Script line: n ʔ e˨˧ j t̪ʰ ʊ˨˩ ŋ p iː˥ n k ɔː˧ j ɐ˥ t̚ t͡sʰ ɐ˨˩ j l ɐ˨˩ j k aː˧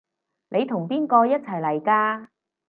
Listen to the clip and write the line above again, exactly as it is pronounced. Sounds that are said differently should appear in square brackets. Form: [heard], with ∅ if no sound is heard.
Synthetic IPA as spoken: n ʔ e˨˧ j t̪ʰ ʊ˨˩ ŋ p iː˥ n k ɔː˧ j ɐ˥ t̚ t͡sʰ ɐ˨˩ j l ɐ˨˩ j k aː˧